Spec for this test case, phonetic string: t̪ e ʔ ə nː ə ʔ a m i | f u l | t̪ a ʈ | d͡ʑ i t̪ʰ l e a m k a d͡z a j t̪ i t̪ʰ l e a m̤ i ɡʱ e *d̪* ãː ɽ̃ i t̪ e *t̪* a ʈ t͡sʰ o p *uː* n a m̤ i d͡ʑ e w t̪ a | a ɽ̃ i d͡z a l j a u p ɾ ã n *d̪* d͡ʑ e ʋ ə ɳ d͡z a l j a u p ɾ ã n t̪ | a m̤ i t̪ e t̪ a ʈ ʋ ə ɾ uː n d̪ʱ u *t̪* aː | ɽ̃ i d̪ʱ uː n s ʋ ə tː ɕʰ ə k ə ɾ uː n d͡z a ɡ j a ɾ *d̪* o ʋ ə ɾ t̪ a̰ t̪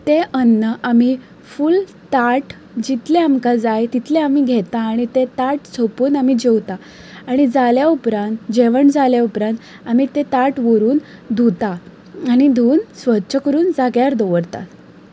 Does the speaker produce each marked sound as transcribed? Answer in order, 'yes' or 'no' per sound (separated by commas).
no, yes, yes, no, yes, yes